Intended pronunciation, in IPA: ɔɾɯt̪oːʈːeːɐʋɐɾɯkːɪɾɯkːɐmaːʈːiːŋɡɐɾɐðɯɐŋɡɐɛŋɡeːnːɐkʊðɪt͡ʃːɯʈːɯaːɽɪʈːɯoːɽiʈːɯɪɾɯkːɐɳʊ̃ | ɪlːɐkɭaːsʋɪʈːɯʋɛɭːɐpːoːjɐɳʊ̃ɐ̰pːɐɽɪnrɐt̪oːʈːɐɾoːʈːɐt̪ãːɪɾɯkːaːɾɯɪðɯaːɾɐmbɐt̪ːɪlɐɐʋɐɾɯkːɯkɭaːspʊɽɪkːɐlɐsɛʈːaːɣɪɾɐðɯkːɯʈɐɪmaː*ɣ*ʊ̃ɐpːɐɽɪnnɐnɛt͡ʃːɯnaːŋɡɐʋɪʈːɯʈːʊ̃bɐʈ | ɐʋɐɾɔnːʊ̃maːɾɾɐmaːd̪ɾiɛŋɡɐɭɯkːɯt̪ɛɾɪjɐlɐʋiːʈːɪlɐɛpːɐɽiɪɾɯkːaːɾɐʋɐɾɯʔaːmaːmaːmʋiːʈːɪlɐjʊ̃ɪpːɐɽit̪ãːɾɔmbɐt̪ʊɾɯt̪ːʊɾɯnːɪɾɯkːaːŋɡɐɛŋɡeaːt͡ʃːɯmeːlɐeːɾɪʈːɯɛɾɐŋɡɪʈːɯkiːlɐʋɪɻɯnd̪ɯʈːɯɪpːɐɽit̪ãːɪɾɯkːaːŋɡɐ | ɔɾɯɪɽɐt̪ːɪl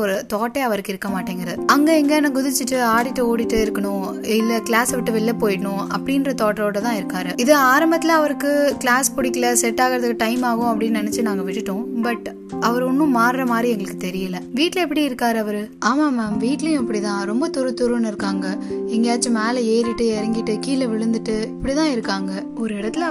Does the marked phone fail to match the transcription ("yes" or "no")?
no